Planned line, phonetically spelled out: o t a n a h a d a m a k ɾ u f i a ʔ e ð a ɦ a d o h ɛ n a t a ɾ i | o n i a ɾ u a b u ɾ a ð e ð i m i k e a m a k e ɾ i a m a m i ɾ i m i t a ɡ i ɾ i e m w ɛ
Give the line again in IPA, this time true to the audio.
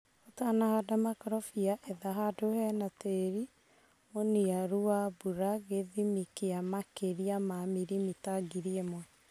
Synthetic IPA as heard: o t a n a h a d a m a k ɾ ɔ f i a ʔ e ð a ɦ a d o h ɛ n a t e ɾ i | o n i a ɾ u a b u ɾ a ɣ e ð i m i k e a m a k e ɾ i a m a m i ɾ i m i t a ɡ i ɾ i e m w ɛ